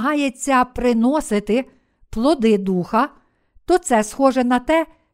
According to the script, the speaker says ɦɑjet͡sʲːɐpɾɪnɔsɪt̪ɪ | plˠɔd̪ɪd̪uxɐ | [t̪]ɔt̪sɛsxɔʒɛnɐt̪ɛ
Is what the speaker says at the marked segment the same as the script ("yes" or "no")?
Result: yes